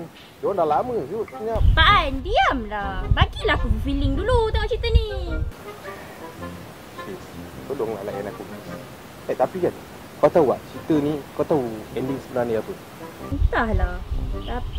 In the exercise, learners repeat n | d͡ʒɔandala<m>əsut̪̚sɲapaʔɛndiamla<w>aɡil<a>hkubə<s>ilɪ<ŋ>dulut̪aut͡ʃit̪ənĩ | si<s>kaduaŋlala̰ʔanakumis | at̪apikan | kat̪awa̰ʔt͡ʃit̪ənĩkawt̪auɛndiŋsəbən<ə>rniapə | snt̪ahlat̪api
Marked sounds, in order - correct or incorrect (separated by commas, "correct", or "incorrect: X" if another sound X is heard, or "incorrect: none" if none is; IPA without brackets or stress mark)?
correct, incorrect: b, correct, incorrect: f, correct, correct, incorrect: a